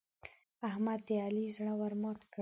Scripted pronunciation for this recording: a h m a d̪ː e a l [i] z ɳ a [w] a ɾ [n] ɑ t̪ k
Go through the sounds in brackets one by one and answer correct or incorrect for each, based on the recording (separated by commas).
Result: correct, correct, incorrect